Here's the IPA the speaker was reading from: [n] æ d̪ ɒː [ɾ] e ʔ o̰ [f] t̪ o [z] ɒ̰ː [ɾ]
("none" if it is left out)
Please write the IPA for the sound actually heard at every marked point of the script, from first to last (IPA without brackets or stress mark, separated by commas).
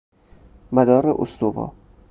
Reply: m, ɾ, s, v, none